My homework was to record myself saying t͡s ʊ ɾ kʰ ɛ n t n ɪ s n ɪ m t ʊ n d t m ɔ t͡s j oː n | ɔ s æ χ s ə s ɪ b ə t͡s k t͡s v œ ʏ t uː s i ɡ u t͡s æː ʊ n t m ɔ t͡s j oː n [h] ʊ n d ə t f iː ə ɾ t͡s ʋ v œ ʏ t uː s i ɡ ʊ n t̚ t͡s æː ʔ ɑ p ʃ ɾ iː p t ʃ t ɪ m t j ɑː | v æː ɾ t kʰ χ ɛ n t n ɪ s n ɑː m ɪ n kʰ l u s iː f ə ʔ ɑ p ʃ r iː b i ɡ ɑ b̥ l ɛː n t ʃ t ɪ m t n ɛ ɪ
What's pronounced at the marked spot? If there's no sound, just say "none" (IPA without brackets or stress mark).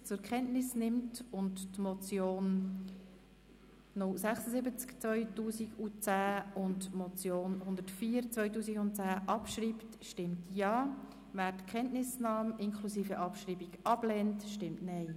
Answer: h